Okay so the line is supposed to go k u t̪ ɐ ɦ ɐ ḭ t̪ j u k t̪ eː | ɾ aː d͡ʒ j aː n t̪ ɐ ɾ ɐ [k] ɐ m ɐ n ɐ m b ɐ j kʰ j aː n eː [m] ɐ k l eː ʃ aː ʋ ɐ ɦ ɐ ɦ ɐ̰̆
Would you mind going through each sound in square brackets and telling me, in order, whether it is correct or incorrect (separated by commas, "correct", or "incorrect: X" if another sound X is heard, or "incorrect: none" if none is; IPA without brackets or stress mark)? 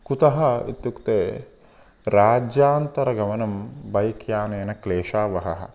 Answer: incorrect: ɡ, incorrect: n